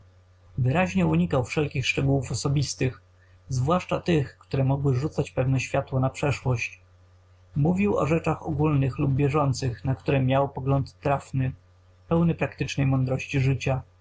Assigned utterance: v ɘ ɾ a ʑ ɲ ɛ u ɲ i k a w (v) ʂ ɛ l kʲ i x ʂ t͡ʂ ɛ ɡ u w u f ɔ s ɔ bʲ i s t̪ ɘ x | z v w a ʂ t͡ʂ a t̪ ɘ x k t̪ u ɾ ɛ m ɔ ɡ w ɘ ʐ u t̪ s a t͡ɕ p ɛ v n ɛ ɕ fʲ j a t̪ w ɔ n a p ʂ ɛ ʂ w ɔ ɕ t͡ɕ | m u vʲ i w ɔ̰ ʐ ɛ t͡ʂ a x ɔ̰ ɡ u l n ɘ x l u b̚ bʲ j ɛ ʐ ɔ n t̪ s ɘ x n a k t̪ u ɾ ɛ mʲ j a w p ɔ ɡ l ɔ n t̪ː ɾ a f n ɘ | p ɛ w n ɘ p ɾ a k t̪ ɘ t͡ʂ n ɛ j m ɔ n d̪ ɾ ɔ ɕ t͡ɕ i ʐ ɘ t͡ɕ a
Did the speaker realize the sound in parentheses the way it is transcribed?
no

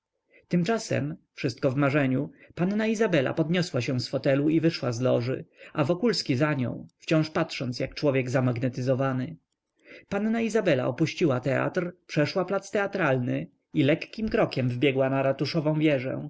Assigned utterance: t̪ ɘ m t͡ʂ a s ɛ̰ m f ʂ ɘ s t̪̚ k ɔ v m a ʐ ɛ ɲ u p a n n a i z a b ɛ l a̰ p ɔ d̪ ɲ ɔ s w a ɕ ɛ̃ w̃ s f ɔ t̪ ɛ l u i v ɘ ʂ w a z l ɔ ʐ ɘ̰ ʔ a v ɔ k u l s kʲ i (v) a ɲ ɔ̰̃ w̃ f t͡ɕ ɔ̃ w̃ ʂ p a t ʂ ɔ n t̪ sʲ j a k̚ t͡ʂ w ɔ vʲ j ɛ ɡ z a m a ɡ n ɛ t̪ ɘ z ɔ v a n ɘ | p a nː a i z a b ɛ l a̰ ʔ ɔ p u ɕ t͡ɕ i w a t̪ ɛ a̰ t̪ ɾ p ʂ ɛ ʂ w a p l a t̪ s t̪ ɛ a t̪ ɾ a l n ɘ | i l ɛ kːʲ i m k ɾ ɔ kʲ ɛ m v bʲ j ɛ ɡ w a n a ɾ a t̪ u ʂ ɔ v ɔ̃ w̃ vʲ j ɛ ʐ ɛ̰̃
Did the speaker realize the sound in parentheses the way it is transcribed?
no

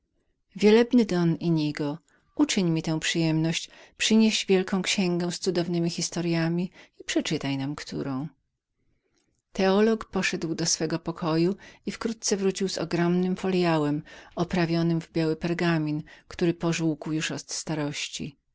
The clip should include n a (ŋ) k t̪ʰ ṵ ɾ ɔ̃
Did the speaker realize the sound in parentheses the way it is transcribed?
no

